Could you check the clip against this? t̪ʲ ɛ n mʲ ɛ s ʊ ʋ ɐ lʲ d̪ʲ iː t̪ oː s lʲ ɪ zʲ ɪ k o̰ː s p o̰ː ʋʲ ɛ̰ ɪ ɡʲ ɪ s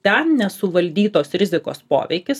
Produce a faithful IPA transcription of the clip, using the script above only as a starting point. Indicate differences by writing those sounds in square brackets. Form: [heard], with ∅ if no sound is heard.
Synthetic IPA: t̪ʲ ɛ n [nʲ] ɛ s ʊ ʋ ɐ lʲ d̪ʲ iː t̪ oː s [ɾʲ] ɪ zʲ ɪ k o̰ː s p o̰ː ʋʲ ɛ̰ ɪ [kʲ] ɪ s